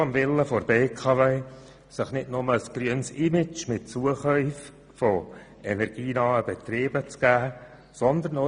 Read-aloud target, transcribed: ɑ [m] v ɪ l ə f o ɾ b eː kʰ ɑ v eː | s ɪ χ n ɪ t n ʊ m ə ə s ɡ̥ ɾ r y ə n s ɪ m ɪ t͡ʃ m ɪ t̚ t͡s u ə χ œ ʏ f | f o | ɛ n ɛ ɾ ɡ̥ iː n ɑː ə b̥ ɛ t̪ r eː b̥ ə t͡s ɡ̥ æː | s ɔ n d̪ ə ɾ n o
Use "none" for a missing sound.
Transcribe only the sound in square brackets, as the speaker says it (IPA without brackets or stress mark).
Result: m